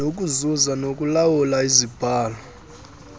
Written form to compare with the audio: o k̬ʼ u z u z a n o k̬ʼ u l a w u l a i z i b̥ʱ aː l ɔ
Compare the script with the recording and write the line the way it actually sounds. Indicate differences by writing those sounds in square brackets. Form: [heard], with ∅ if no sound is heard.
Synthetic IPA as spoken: o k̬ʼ u z u z a n o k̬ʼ u l a w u l a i z i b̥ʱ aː l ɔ